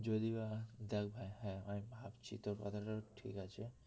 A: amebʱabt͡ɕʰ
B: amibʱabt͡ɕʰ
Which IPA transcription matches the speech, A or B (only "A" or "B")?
B